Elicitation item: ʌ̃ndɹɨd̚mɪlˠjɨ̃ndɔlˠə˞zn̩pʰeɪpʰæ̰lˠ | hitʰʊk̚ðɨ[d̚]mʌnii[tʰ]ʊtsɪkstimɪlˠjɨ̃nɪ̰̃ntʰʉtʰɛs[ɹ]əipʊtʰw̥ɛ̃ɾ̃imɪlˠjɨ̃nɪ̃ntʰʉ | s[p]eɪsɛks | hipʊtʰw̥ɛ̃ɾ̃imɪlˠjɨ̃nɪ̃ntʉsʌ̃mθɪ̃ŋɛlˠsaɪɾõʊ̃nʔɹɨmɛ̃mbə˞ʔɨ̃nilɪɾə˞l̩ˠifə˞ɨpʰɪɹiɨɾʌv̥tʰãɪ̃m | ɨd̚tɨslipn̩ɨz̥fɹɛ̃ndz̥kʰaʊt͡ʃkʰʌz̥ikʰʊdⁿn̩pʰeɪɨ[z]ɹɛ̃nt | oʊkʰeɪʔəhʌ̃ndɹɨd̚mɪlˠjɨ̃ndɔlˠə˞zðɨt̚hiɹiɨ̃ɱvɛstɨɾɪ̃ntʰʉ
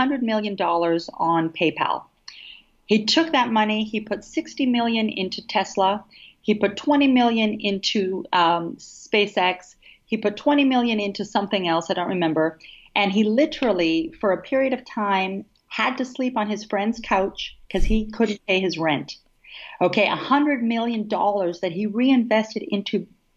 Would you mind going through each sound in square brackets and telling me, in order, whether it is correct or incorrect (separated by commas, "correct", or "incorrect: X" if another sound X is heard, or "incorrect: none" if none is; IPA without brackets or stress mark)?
incorrect: t̚, incorrect: pʰ, incorrect: l, correct, correct